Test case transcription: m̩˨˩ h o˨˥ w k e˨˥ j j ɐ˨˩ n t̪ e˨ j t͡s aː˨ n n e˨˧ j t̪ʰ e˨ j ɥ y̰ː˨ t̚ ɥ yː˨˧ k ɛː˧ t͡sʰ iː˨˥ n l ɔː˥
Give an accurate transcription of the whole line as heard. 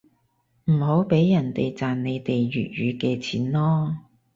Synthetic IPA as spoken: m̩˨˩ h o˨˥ w p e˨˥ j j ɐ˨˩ n t̪ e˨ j t͡s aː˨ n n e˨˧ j t̪ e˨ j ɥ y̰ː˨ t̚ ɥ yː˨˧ k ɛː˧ t͡sʰ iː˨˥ n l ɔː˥